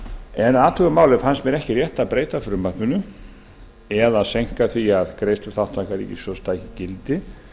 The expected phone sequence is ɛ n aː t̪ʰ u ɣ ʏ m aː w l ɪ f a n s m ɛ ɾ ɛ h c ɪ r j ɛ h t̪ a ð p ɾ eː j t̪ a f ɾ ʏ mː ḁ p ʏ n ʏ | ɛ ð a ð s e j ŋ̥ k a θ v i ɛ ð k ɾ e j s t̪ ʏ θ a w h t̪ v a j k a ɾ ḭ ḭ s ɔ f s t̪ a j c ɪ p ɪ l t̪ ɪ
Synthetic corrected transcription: ɛ n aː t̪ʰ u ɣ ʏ m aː w l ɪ f a n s m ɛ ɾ ɛ h c ɪ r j ɛ h t̪ a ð p ɾ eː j t̪ a f ɾ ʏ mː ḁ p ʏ n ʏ | ɛ ð a ð s e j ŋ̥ k a θ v i a ð k ɾ e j s t̪ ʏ θ a w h t̪ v a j k a ɾ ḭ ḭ s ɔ s t̪ a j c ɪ c ɪ l t̪ ɪ